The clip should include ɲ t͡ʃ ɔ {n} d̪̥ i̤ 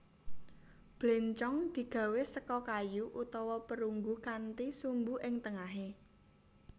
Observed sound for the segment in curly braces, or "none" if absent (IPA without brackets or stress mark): ŋ